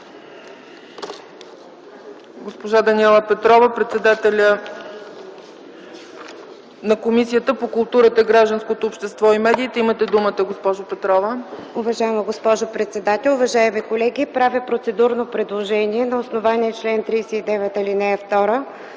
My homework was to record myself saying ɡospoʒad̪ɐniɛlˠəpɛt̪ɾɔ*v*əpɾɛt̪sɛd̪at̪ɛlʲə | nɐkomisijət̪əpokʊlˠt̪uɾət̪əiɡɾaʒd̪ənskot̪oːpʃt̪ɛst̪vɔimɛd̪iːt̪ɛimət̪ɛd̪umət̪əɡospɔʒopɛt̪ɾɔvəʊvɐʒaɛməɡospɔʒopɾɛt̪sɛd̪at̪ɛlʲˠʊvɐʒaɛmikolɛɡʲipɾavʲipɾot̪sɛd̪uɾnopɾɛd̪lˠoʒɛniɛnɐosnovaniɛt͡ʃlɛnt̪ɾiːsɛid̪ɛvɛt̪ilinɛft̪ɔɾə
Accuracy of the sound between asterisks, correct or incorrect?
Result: correct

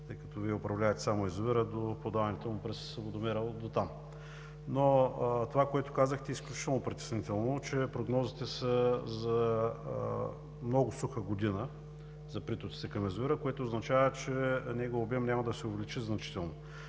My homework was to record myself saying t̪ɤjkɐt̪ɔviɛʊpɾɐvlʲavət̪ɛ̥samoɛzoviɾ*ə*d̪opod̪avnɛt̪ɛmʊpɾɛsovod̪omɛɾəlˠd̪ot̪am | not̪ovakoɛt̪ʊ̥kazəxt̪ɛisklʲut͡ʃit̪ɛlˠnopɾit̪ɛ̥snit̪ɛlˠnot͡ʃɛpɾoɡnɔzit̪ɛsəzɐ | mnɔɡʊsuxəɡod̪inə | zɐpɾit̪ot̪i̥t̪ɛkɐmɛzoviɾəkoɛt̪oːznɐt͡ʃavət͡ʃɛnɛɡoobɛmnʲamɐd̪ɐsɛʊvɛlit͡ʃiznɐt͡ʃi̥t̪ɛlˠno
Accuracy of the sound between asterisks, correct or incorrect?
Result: correct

